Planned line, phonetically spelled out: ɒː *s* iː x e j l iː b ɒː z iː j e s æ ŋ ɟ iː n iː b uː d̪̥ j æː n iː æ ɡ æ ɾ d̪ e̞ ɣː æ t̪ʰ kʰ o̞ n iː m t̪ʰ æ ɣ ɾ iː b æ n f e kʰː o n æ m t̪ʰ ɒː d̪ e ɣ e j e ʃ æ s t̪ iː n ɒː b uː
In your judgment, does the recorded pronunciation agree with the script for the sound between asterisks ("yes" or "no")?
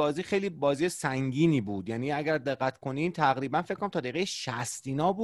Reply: no